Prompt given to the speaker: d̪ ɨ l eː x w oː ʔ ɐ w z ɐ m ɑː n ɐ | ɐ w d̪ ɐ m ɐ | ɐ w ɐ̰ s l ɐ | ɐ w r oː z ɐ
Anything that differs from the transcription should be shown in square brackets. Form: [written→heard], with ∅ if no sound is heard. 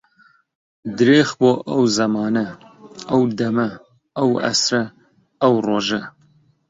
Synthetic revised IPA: d̪ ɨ [l→ɾ] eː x [w→b] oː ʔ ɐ w z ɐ m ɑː n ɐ | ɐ w d̪ ɐ m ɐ | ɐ w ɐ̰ s [l→ɾ] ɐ | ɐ w r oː [z→ʒ] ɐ